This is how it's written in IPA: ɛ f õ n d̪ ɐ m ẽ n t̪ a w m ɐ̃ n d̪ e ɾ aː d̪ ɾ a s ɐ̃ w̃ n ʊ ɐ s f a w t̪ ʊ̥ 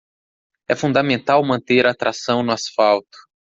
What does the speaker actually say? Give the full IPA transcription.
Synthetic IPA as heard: ɛ f ũ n d̪ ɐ m ẽ n t̪ a w m ɐ̃ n t̪ e ɾ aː t̪ ɾ a s ɐ̃ w̃ n ʊ a s f a w t̪ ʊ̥